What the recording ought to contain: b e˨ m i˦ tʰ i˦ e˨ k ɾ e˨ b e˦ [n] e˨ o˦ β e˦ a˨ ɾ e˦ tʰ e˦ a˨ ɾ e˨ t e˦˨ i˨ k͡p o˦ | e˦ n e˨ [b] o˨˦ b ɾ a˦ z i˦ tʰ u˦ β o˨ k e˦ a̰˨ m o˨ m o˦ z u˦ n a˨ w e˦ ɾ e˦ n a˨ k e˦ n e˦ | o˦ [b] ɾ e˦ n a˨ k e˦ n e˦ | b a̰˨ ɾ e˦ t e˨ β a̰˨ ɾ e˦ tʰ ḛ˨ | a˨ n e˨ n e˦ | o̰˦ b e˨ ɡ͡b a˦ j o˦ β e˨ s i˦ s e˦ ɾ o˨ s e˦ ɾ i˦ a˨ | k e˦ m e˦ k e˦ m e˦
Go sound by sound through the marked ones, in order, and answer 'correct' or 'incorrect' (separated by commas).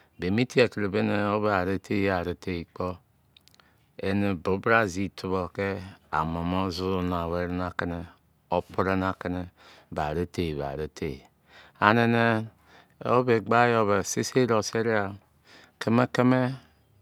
correct, correct, incorrect